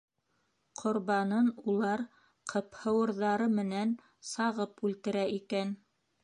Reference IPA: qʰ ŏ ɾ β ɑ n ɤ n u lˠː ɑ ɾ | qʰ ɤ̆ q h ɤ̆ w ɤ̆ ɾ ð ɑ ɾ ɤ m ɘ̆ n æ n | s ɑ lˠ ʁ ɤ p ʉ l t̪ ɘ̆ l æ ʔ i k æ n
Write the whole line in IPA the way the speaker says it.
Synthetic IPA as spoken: qʰ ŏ ɾ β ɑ n ɤ n u lˠ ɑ ɾ | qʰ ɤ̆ p h ɤ̆ w ɤ̆ ɾ ð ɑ ɾ ɤ m ɘ̆ n æ n | s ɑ ʁ ɤ p ʉ l t̪ ɘ̆ ɾ æ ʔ i k æ n